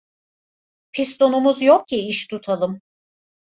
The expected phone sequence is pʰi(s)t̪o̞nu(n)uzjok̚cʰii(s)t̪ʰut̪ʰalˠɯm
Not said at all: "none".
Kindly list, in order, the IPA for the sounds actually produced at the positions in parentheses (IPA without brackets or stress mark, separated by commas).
s, m, ʃ